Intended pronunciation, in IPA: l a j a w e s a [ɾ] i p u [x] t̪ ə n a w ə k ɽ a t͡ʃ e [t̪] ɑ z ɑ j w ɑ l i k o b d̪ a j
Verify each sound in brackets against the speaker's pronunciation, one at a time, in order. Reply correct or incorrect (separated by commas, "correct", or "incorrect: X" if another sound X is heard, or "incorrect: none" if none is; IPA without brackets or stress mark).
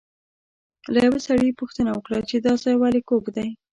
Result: incorrect: ɽ, correct, incorrect: d̪